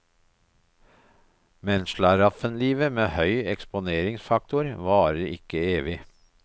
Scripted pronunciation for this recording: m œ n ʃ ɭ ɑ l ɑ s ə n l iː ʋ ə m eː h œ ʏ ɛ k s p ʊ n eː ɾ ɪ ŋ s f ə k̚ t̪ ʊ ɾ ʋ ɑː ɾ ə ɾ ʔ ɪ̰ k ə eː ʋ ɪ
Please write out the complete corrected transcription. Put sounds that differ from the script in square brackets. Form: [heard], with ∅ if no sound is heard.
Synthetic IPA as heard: m [ɛ] n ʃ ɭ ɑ [ɾ] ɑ [f] ə n l iː ʋ ə m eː h œ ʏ ɛ k s p ʊ n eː ɾ ɪ ŋ s f [ɑ] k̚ t̪ ʊ ɾ ʋ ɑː ɾ ə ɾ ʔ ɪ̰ k ə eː ʋ ɪ